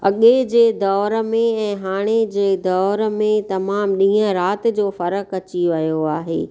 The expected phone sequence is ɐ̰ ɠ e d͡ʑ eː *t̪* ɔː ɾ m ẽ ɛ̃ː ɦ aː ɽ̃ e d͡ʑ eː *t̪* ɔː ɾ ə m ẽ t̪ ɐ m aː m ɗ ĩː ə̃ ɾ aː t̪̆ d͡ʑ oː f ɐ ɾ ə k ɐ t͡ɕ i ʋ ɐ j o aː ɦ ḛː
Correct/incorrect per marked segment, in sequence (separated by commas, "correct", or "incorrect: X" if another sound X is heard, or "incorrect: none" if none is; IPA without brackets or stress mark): incorrect: d̪, incorrect: d̪